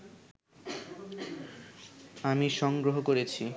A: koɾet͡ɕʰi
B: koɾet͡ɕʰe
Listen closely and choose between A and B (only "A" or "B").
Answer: A